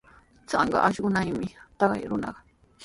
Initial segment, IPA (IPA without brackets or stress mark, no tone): t͡s